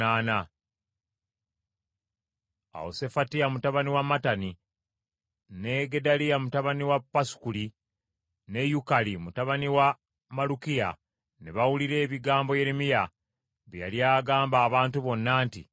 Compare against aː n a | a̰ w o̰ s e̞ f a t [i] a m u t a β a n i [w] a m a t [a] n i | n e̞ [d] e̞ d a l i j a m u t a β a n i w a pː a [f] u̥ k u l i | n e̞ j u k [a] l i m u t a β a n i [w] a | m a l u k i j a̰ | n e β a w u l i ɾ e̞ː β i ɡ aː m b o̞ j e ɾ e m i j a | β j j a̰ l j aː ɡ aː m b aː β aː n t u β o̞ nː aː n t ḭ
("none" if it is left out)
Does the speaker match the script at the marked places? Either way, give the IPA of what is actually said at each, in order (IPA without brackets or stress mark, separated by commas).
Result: i, w, a, ɡ, s, a, w